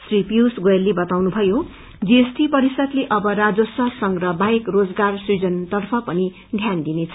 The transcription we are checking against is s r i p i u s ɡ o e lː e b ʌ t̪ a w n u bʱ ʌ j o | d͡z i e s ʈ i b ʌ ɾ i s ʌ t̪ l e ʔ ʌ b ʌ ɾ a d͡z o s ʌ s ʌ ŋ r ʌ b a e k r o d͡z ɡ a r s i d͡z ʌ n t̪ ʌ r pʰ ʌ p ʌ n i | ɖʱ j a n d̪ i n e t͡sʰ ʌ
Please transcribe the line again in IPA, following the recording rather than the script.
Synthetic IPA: s r i p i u s ɡ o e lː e b ʌ t̪ a w n u bʱ ʌ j o | d͡z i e s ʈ i p ʌ ɾ i s ʌ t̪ l e ʔ ʌ b ʌ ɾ a d͡z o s ʌ s ʌ ŋ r ʌ b a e k r o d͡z ɡ a r s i d͡z ʌ n t̪ ʌ r pʰ ʌ p ʌ n i | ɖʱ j a n d̪ i n e t͡sʰ ʌ